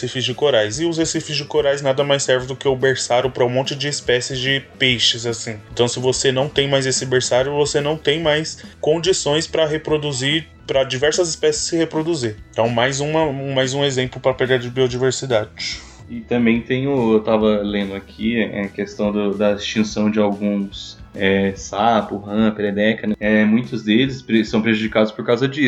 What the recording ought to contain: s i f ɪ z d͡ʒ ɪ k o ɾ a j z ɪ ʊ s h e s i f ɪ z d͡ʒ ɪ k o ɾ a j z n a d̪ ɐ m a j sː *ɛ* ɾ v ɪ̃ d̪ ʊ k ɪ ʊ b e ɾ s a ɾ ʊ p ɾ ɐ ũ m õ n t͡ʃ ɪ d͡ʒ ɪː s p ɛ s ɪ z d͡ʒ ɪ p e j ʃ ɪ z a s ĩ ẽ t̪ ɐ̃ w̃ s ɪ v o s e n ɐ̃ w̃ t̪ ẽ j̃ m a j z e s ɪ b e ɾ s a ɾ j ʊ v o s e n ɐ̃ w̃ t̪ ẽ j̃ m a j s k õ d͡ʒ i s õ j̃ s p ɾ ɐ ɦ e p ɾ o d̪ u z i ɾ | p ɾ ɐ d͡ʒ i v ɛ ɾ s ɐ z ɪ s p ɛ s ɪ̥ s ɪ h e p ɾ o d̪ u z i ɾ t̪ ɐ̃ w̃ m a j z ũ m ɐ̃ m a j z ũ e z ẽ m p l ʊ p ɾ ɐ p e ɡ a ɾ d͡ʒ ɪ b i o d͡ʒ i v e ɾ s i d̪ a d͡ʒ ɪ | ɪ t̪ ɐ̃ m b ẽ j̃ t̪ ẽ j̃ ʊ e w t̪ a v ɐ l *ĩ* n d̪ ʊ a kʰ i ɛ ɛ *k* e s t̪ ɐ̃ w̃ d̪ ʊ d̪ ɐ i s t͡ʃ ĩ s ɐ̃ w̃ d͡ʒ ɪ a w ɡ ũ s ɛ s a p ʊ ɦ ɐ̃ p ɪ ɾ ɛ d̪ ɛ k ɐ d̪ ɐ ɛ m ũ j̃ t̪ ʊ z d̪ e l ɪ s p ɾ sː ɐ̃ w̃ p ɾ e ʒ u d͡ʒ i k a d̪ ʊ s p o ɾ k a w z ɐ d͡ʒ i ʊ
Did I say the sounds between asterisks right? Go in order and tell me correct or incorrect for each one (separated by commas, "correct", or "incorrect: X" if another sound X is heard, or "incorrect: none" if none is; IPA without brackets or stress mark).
correct, incorrect: ẽ, correct